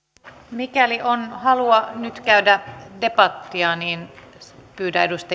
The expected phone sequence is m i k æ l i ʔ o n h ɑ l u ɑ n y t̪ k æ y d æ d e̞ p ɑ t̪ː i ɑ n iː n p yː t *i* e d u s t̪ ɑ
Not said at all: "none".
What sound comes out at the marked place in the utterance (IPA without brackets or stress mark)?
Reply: æ